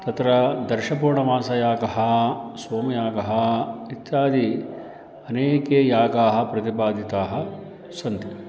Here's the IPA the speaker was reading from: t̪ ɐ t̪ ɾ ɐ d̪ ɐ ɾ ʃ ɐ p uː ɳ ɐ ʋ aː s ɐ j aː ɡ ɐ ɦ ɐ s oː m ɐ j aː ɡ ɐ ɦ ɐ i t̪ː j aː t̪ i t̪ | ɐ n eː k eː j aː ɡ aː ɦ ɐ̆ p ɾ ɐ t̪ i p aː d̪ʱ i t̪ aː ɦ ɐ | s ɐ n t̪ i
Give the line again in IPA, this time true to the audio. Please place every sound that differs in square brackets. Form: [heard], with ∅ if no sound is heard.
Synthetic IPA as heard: t̪ ɐ t̪ ɾ ɐ d̪ ɐ ɾ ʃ ɐ p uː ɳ ɐ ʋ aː s ɐ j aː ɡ ɐ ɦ ɐ s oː m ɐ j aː ɡ ɐ ɦ ɐ i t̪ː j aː [d̪] i [∅] | ɐ n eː k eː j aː ɡ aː ɦ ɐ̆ p ɾ ɐ t̪ i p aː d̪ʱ i t̪ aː ɦ ɐ | s ɐ n t̪ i

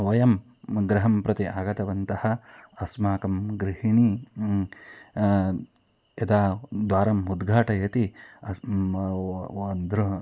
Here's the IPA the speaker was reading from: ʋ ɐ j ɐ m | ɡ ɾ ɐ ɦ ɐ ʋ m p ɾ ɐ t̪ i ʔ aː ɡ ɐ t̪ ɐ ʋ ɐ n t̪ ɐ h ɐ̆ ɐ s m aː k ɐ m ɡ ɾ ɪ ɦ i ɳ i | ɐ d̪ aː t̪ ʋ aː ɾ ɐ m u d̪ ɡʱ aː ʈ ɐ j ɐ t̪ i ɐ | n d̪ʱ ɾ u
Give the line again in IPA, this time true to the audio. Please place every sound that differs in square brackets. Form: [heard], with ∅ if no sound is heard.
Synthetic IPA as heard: ʋ ɐ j ɐ m | ɡ ɾ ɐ ɦ ɐ [∅] m p ɾ ɐ t̪ i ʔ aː ɡ ɐ t̪ ɐ ʋ ɐ n t̪ ɐ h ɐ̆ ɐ s m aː k ɐ m ɡ ɾ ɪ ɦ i ɳ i | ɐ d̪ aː [d̪] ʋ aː ɾ ɐ m u d̪ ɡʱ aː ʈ ɐ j ɐ t̪ i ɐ | n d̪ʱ ɾ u

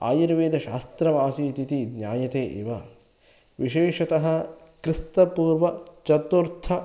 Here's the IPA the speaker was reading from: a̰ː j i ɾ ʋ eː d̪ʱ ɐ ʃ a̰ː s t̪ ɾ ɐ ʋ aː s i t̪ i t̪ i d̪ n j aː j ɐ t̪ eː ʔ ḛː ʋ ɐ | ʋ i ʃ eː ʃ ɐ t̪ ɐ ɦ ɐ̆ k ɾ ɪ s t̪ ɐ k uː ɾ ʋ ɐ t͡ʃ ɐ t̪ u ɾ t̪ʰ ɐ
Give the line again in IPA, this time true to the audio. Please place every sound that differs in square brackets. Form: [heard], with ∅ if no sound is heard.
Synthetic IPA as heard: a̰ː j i ɾ ʋ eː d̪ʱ ɐ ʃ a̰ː s t̪ ɾ ɐ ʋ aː s i t̪ i t̪ i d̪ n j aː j ɐ t̪ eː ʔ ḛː ʋ ɐ | ʋ i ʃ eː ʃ ɐ t̪ ɐ ɦ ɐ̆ k ɾ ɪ s t̪ ɐ [p] uː ɾ ʋ ɐ t͡ʃ ɐ t̪ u ɾ t̪ʰ ɐ

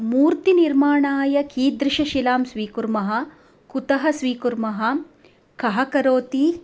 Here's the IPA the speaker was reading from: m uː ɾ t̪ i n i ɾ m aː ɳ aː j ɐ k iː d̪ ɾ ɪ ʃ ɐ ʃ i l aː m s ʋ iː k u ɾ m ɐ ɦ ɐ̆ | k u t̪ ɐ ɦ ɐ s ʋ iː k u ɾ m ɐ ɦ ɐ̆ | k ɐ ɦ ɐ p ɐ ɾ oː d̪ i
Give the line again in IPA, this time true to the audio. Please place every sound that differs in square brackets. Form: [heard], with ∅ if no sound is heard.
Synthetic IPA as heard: m uː ɾ t̪ i n i ɾ m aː ɳ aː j ɐ k iː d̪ ɾ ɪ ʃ ɐ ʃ i l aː m s ʋ iː k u ɾ m ɐ ɦ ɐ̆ | k u t̪ ɐ ɦ ɐ s ʋ iː k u ɾ m ɐ ɦ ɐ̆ | k ɐ ɦ ɐ [k] ɐ ɾ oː [t̪] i

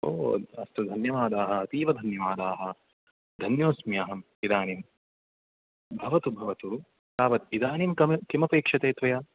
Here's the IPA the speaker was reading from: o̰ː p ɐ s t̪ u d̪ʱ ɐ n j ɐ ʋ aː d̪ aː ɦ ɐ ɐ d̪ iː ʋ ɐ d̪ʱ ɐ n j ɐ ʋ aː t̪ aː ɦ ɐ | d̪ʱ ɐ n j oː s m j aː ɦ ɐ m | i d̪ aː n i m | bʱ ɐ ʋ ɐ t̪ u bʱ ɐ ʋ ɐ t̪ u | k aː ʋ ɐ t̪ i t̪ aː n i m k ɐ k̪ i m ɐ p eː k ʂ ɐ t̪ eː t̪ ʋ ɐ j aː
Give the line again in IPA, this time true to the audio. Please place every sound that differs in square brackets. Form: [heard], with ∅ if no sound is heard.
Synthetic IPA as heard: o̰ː [∅] ɐ s t̪ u d̪ʱ ɐ n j ɐ ʋ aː d̪ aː ɦ ɐ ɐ [t̪] iː ʋ ɐ d̪ʱ ɐ n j ɐ ʋ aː [d̪] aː ɦ ɐ | d̪ʱ ɐ n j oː s m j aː ɦ ɐ m | i d̪ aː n i m | bʱ ɐ ʋ ɐ t̪ u bʱ ɐ ʋ ɐ t̪ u | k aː ʋ ɐ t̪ i [d̪] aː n i m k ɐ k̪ i m ɐ p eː k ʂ ɐ t̪ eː t̪ ʋ ɐ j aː

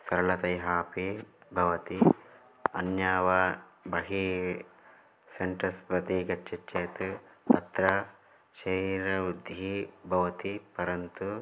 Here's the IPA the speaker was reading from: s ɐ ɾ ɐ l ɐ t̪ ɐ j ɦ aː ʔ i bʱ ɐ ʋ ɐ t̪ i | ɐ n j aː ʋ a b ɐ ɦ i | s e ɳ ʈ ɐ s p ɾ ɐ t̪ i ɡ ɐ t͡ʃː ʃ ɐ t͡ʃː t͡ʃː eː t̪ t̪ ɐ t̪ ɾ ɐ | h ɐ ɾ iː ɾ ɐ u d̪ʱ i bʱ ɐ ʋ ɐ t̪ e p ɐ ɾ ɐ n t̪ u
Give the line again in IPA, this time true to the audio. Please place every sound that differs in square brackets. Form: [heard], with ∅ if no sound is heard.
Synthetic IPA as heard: s ɐ ɾ ɐ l ɐ t̪ ɐ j ɦ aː [p] i bʱ ɐ ʋ ɐ t̪ i | ɐ n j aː ʋ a b ɐ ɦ i | s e ɳ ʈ ɐ s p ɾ ɐ t̪ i ɡ ɐ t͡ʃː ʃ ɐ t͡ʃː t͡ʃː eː t̪ t̪ ɐ t̪ ɾ ɐ | [ʃ] ɐ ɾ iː ɾ ɐ u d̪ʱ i bʱ ɐ ʋ ɐ t̪ [i] p ɐ ɾ ɐ n t̪ u

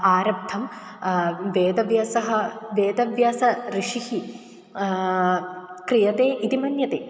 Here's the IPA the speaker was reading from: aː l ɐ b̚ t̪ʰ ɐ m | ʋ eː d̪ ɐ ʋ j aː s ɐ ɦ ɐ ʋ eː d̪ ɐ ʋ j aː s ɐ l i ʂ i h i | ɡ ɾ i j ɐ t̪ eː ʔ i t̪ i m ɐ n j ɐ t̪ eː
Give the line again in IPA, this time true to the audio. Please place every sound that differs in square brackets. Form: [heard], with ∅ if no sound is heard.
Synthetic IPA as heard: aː [ɾ] ɐ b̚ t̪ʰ ɐ m | ʋ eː d̪ ɐ ʋ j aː s ɐ ɦ ɐ ʋ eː d̪ ɐ ʋ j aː s ɐ [ɾ] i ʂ i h i | [k] ɾ i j ɐ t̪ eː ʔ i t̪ i m ɐ n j ɐ t̪ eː

